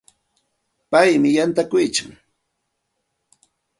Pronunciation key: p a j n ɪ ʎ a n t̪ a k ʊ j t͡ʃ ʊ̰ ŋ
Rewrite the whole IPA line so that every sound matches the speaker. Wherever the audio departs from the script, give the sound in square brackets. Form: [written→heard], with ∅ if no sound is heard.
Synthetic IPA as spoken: p a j [n→m] ɪ [ʎ→j] a n t̪ a k ʊ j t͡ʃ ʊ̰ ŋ